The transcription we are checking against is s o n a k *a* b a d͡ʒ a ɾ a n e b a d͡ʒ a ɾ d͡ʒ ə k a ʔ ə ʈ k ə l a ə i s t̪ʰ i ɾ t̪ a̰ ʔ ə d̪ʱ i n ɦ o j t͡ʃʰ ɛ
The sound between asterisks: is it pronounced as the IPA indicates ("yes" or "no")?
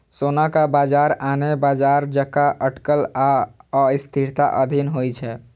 yes